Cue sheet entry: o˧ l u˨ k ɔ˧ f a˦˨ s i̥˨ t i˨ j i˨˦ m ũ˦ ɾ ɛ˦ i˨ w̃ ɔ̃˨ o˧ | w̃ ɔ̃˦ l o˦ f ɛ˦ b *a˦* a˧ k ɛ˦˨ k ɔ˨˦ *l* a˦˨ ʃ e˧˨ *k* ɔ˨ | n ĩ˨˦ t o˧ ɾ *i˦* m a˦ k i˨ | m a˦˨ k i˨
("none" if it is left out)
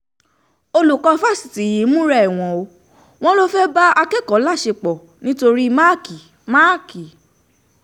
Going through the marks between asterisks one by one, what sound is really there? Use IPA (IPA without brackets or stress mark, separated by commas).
a˦, l, k͡p, i˦